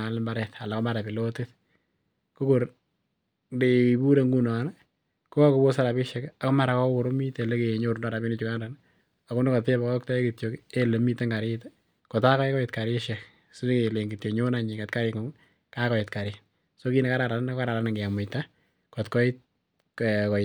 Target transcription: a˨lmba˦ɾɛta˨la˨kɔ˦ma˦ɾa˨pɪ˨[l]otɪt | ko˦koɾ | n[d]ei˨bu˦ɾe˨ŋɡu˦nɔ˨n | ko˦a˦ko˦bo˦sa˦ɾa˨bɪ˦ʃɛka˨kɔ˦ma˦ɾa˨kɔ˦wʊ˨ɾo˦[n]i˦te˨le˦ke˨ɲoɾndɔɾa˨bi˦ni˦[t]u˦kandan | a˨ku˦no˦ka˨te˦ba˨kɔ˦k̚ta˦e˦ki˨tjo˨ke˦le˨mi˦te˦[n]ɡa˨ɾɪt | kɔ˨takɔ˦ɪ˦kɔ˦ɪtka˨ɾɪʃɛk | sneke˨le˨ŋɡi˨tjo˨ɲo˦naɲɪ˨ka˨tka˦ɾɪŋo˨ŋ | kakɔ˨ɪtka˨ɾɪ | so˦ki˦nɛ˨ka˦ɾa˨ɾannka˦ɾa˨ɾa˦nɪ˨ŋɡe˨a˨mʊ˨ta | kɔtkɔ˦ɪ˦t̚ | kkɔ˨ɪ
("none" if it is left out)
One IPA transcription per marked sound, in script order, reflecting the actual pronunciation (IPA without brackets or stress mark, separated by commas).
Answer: l, d, m, t͡ʃ, ŋ